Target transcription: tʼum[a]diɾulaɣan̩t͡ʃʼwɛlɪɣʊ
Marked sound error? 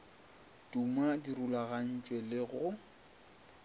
no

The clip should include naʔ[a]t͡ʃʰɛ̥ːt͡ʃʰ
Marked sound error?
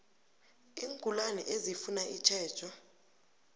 yes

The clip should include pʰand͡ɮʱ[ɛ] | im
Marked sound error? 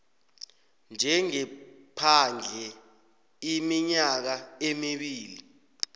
no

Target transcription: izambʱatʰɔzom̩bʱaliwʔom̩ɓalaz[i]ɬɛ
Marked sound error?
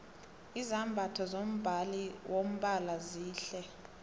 yes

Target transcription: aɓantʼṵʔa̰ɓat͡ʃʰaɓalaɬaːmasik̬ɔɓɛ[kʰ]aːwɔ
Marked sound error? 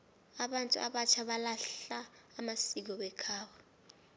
no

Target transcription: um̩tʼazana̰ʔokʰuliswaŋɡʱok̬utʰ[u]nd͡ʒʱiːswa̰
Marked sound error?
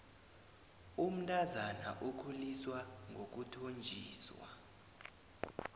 yes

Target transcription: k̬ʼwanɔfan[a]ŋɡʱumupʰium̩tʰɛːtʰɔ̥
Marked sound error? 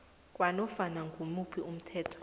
no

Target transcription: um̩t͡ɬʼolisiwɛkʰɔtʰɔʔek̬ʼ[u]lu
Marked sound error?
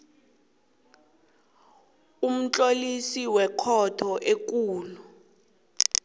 yes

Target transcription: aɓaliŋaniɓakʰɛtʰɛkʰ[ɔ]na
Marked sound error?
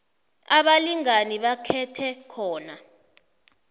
yes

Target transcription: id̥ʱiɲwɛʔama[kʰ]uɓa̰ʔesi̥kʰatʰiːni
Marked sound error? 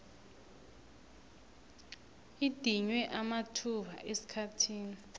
yes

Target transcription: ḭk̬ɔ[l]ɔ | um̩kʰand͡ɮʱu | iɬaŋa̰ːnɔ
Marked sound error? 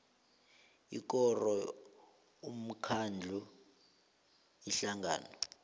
yes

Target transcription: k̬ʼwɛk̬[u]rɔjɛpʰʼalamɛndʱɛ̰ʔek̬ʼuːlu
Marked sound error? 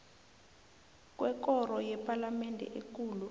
yes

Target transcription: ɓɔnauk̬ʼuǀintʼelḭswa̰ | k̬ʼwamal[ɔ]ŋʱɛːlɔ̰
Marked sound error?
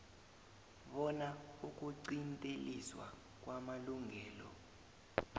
yes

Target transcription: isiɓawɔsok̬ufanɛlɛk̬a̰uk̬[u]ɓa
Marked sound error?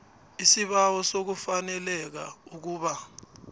yes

